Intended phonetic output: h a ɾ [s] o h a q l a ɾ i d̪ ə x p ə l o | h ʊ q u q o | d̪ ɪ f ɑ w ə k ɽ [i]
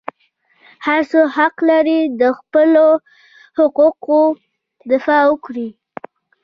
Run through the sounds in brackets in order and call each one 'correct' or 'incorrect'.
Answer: correct, correct

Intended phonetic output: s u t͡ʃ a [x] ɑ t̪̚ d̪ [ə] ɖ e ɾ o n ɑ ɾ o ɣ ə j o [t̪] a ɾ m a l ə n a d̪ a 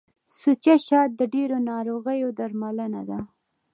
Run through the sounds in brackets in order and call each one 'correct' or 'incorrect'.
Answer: incorrect: ʃ, correct, incorrect: d̪

